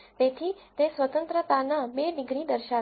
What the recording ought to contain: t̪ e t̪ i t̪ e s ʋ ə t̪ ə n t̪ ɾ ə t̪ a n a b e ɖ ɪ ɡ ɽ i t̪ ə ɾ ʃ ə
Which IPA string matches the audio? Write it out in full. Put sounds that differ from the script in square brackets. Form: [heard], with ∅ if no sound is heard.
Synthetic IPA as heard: t̪ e [t̪ʰ] i t̪ e s ʋ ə t̪ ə n t̪ ɾ ə t̪ a n a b e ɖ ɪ ɡ [ɾ] i [d̪] ə ɾ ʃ [a]